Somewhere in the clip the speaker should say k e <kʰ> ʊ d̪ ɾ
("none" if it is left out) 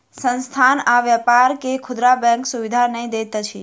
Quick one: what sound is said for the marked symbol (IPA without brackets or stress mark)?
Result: kʰ